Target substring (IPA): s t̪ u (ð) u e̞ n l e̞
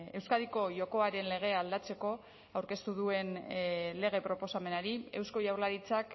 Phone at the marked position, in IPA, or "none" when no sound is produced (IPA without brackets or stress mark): ð